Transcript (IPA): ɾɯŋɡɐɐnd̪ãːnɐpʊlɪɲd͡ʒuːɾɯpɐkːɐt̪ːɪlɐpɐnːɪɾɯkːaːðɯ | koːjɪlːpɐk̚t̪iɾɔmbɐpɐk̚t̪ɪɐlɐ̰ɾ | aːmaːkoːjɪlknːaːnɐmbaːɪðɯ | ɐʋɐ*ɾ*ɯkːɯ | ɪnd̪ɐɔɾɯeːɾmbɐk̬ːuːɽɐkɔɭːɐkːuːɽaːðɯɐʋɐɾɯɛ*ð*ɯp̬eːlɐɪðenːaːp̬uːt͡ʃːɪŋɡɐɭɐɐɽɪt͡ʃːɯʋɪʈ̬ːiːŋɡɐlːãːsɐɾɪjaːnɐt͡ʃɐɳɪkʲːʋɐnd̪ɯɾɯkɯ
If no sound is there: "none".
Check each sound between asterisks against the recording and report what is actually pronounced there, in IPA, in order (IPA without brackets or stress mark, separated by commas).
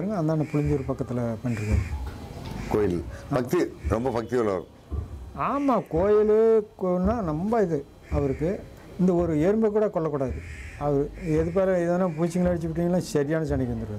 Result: ɾ, ð